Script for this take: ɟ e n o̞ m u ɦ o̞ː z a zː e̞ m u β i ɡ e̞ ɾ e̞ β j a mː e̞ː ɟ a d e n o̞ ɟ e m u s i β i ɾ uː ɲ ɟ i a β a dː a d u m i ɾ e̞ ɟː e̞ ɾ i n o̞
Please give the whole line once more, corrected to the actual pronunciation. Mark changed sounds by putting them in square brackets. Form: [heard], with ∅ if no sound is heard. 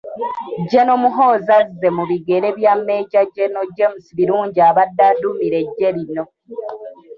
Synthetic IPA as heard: ɟ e n o̞ m u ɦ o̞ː z a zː e̞ m u β i ɡ e̞ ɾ e̞ β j a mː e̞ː ɟ a [ɟ] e n o̞ ɟ e m u s i β i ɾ uː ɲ ɟ i a β a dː a d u m i ɾ e̞ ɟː e̞ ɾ i n o̞